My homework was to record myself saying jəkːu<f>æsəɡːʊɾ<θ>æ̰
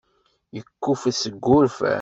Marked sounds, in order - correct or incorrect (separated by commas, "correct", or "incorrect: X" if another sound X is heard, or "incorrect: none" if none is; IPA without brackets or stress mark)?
correct, incorrect: f